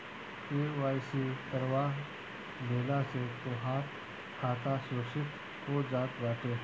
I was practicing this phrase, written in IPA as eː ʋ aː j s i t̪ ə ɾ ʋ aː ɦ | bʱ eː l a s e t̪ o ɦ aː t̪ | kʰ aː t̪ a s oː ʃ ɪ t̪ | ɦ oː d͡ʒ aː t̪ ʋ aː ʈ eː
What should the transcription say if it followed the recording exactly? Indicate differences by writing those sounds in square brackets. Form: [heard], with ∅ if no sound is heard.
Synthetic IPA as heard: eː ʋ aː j s i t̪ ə ɾ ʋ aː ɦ | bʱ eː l a s e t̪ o ɦ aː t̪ | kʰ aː t̪ a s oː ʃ ɪ t̪ | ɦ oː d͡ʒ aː t̪ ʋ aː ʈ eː